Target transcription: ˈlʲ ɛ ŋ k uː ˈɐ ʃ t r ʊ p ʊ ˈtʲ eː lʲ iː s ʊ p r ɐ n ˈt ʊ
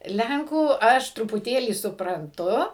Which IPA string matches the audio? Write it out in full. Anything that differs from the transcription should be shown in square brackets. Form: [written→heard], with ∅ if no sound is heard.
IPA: ˈlʲ ɛ ŋ k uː ˈɐ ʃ t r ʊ p ʊ ˈtʲ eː lʲ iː s ʊ p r ɐ n ˈt ʊ